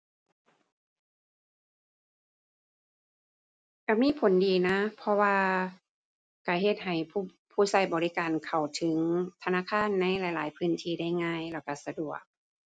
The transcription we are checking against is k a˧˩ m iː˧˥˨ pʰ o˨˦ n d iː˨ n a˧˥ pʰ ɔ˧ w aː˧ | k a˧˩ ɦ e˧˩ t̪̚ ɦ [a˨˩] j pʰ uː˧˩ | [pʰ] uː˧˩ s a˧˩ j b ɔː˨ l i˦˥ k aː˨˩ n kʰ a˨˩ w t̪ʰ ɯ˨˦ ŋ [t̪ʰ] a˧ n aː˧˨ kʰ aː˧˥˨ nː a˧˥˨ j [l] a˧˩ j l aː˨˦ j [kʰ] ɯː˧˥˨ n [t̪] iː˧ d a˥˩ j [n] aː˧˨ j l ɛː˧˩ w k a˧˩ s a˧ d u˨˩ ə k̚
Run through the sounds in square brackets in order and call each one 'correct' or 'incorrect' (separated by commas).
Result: correct, correct, correct, correct, incorrect, incorrect, incorrect